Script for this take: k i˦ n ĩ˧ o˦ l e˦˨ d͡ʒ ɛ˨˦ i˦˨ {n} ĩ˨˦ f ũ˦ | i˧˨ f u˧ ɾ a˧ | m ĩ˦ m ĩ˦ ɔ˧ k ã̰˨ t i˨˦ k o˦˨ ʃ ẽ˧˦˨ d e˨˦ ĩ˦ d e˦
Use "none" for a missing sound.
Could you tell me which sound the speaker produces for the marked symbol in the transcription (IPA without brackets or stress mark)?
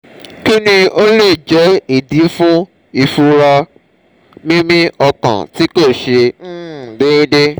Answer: d